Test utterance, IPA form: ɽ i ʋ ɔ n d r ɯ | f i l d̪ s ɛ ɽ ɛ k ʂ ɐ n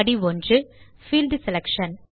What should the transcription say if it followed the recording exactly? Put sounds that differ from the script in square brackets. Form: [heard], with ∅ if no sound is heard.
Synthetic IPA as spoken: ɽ i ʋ ɔ n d r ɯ | f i l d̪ s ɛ [l] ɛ k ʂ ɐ n